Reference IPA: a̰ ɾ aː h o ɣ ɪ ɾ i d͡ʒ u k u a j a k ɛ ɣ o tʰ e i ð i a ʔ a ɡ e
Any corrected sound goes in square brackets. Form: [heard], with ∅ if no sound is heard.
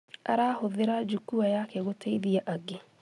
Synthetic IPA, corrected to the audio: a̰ ɾ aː h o [ð] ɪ ɾ [a] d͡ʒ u k u a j a k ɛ ɣ o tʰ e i ð i a ʔ a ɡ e